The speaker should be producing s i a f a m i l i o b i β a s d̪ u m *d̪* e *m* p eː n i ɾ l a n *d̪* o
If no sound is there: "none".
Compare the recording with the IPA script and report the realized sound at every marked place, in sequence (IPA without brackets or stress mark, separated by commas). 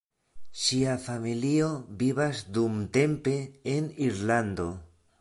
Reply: t̪, m, d̪